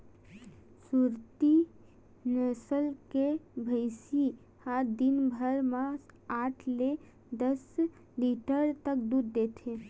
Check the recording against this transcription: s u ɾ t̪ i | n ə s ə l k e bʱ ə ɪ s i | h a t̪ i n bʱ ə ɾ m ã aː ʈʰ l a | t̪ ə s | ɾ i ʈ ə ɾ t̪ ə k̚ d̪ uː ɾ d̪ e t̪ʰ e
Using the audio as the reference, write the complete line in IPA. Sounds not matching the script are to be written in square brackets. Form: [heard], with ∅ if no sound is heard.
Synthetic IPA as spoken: s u ɾ t̪ i | n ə s ə l k e bʱ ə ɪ s i | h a [d̪] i n bʱ ə ɾ m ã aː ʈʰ l [e] | [d̪] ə s | [l] i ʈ ə ɾ t̪ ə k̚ d̪ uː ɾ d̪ e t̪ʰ e